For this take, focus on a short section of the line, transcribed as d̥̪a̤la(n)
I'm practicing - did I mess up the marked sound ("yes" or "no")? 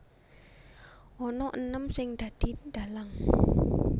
yes